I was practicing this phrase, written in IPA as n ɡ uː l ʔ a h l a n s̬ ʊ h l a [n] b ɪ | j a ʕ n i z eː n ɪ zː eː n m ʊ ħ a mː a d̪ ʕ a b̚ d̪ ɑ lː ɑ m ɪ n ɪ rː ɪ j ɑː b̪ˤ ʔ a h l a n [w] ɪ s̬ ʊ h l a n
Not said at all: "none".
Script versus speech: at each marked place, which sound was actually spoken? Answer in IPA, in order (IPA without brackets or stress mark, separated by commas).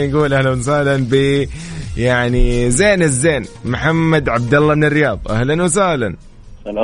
n, w